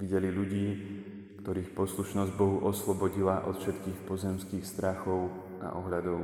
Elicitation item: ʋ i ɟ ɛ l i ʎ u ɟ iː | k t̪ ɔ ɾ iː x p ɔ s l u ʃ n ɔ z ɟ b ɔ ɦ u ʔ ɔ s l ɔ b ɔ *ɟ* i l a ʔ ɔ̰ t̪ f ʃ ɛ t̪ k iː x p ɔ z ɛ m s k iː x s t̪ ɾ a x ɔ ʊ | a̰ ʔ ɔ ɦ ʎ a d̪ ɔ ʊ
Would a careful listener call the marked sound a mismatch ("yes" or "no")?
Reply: no